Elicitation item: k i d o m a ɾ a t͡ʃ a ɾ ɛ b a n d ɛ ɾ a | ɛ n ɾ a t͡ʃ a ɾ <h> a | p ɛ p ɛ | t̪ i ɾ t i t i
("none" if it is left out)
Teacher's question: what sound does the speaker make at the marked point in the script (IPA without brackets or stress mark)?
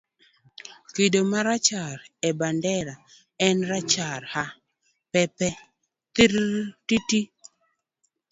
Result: h